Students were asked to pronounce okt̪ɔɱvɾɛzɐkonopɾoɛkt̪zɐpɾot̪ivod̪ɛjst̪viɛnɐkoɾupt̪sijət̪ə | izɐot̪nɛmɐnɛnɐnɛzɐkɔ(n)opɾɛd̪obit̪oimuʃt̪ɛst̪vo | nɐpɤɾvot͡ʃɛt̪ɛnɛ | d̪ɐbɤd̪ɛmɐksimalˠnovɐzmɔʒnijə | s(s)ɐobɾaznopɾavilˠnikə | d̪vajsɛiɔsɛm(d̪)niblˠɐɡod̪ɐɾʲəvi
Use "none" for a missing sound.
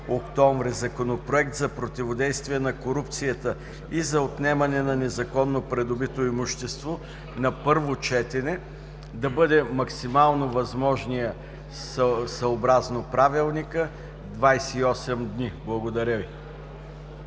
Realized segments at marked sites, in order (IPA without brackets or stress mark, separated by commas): nː, s, d̪